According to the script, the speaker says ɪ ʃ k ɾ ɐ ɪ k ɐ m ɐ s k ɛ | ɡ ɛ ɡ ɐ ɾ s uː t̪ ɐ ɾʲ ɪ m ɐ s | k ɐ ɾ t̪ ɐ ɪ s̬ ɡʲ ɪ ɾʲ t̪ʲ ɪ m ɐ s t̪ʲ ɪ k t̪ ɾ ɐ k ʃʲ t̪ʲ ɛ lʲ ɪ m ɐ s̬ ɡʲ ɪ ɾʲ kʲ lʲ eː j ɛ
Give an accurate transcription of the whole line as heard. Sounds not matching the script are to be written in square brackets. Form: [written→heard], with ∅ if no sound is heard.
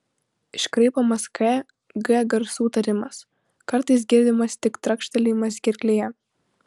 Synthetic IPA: ɪ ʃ k ɾ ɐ ɪ [k→p] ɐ m ɐ s k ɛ | ɡ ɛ ɡ ɐ ɾ s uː t̪ ɐ ɾʲ ɪ m ɐ s | k ɐ ɾ t̪ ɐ ɪ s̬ ɡʲ ɪ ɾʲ [t̪ʲ→d̪ʲ] ɪ m ɐ s t̪ʲ ɪ k t̪ ɾ ɐ k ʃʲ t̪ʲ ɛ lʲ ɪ m ɐ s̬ ɡʲ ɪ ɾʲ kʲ lʲ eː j ɛ